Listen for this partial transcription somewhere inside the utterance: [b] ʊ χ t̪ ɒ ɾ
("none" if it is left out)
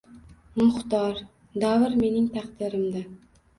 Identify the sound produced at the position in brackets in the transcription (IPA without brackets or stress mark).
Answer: m